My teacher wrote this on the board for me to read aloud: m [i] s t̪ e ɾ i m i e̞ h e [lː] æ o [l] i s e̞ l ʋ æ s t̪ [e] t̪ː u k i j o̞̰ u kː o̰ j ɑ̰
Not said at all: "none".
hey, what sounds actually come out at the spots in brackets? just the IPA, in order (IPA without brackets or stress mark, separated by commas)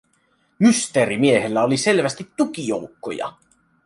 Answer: y, lː, l, i